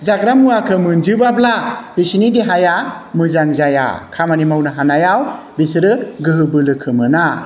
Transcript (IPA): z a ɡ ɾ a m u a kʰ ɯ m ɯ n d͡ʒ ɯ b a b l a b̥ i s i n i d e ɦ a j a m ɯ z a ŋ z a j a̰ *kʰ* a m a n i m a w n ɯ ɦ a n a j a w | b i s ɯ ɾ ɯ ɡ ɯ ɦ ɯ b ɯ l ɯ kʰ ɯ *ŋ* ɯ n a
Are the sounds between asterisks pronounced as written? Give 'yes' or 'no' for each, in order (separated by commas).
yes, no